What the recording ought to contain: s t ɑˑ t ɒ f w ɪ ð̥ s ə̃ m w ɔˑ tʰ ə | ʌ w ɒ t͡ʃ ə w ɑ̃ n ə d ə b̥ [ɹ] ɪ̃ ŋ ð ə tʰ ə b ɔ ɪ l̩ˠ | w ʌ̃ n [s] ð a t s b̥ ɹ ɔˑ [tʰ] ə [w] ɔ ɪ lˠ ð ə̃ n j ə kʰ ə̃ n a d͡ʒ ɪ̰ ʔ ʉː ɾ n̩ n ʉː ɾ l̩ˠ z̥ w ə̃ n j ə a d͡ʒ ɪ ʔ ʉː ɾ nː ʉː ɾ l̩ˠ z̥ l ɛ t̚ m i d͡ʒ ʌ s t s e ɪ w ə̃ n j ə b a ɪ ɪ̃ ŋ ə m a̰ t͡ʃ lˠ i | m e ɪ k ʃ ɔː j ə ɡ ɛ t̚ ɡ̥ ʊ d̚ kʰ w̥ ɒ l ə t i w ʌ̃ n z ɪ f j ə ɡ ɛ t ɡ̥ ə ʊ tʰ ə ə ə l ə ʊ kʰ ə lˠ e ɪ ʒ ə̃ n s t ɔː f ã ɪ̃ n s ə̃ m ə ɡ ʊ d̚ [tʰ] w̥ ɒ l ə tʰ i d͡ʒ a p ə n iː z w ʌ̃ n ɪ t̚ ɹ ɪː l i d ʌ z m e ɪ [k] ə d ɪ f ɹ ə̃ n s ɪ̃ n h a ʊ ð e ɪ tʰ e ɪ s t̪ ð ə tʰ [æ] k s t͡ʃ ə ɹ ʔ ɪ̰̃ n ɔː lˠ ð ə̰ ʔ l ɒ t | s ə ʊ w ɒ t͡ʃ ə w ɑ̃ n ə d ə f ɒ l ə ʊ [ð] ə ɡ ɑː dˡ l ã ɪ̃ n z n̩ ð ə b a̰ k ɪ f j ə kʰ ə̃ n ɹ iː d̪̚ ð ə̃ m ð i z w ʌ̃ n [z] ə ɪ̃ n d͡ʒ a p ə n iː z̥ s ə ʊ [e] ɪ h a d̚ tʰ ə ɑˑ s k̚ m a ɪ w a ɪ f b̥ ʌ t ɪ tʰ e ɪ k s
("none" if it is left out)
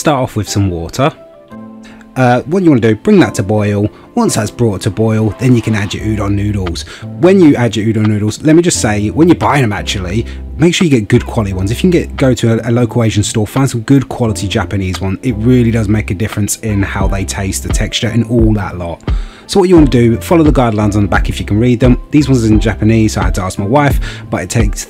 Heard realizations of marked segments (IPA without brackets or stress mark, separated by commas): ɹ, s, tʰ, b, kʰ, k, ɛ, ð, z, a